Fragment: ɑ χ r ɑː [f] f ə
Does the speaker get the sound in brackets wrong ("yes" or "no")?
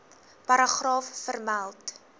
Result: no